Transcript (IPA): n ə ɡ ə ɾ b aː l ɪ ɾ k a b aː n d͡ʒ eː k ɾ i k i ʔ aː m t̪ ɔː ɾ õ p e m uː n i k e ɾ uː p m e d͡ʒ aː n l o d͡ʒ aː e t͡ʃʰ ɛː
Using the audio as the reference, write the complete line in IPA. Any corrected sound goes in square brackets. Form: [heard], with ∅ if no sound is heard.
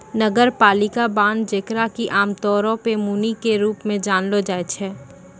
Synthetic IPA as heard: n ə ɡ ə ɾ [p] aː l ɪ [∅] k a b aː n d͡ʒ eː k ɾ [a] k i ʔ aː m t̪ ɔː ɾ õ p e m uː n i k e ɾ uː p m [ẽ] d͡ʒ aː n l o d͡ʒ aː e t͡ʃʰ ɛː